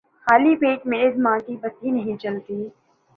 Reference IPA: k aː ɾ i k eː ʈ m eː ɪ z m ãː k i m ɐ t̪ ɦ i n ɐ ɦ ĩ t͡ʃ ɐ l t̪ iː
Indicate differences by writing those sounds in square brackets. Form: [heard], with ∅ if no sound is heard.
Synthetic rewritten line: [x] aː [l] i [p] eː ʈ m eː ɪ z m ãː k i [b] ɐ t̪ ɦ i n ɐ ɦ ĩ t͡ʃ ɐ l t̪ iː